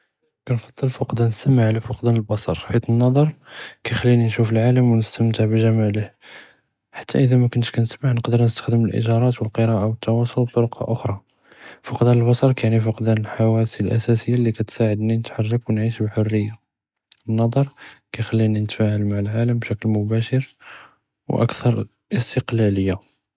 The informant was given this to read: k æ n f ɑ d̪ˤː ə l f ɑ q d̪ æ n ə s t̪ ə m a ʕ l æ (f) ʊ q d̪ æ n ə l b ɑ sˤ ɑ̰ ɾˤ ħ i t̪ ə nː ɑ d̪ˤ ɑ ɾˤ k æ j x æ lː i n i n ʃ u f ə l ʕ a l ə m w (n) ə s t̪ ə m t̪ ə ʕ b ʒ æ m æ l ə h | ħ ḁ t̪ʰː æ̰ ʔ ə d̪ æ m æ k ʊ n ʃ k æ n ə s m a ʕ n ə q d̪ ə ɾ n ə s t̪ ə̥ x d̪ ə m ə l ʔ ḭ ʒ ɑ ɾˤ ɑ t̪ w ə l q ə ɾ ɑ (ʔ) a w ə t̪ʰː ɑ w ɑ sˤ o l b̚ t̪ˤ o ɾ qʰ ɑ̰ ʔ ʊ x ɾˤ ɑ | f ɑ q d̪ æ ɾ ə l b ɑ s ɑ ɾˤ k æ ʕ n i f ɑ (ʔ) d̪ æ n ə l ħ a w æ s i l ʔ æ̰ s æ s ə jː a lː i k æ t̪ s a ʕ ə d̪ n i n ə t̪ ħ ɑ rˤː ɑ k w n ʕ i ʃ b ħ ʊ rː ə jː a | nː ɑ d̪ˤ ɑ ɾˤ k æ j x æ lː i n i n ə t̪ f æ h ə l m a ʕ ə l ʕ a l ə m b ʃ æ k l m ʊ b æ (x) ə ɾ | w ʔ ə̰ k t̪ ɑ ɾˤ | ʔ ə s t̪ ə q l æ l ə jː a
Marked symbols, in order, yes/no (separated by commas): yes, yes, yes, no, no